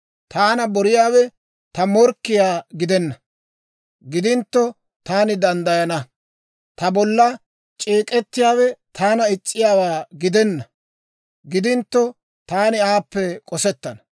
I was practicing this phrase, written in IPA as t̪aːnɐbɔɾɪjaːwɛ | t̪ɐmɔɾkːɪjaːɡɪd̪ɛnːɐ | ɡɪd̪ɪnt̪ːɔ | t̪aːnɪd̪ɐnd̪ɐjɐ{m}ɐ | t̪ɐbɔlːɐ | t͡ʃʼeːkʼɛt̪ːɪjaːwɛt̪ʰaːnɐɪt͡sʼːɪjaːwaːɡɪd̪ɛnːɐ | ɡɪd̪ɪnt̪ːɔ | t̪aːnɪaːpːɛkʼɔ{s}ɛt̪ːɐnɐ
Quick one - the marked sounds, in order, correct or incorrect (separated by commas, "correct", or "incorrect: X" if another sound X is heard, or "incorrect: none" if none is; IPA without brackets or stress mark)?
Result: incorrect: n, correct